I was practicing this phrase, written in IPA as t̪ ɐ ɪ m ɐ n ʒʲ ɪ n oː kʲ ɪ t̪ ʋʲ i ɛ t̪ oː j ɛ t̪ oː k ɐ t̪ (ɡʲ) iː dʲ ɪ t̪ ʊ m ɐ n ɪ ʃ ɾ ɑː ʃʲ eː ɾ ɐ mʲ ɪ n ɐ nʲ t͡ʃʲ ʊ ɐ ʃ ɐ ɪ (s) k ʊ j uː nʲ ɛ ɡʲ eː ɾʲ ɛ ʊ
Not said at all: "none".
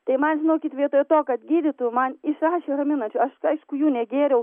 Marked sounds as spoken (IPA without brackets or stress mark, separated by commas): ɡʲ, ʃ